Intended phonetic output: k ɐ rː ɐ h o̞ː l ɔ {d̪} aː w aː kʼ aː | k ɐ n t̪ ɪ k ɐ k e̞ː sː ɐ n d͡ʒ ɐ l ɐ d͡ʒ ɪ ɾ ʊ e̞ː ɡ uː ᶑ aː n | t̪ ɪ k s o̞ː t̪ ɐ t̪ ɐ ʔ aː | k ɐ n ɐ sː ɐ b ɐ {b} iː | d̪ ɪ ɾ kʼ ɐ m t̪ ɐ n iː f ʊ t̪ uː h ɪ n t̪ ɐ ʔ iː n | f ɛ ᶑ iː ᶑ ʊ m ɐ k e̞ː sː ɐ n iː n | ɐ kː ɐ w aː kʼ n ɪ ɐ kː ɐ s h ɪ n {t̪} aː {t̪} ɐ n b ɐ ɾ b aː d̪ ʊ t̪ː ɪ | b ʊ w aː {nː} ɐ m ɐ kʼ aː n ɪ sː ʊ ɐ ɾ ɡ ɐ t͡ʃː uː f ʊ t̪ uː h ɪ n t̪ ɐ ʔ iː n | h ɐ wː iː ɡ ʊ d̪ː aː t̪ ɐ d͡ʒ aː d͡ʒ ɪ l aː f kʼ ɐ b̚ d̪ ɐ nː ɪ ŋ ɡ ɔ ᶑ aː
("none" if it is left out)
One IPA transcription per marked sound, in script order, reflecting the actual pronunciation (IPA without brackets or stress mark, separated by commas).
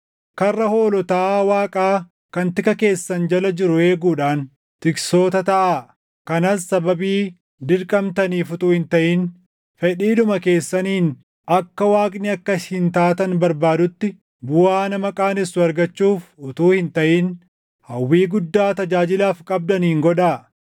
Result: t̪, b, t̪, t̪, n